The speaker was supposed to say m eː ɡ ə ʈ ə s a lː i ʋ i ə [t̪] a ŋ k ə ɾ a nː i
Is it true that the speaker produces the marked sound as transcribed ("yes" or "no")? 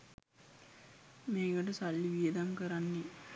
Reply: no